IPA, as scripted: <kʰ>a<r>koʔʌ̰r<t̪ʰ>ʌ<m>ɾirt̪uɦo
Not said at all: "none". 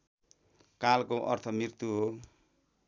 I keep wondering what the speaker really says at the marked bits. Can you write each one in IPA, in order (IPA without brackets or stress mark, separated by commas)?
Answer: k, l, t̪ʰ, m